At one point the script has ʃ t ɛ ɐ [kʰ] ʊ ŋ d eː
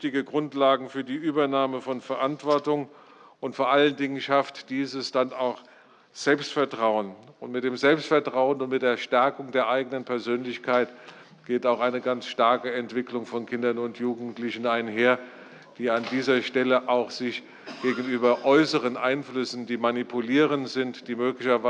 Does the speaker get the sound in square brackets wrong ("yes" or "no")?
yes